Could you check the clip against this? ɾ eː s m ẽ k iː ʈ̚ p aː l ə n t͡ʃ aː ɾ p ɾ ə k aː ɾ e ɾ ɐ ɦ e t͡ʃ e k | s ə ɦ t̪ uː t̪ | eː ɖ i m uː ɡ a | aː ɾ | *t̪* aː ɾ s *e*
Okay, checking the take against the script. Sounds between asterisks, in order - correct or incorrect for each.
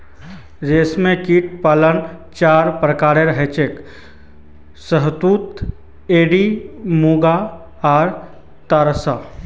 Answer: correct, incorrect: a

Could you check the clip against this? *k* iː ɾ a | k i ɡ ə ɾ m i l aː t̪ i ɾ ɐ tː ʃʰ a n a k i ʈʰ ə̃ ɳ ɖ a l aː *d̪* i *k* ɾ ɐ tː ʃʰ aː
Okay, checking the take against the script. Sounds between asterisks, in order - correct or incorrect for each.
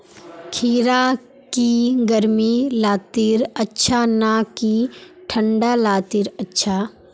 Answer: incorrect: kʰ, incorrect: t̪, incorrect: none

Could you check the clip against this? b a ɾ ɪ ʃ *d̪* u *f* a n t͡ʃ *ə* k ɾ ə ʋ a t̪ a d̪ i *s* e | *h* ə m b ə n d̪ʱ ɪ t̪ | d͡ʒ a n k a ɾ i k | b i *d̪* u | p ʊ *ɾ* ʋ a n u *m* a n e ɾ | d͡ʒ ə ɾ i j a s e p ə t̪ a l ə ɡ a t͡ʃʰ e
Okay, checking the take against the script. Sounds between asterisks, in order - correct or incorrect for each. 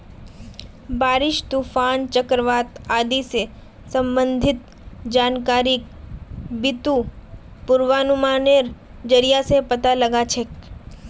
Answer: incorrect: t̪, correct, correct, correct, incorrect: s, incorrect: t̪, correct, correct

